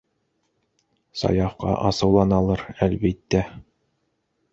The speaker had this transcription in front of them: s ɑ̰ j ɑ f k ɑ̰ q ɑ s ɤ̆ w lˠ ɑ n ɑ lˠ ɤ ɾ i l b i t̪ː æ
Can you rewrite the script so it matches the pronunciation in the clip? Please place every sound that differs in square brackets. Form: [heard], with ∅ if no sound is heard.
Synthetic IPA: s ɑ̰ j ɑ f [q] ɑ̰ [ʔ] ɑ s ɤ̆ w lˠ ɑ n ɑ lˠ ɤ ɾ [æ] l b i t̪ː æ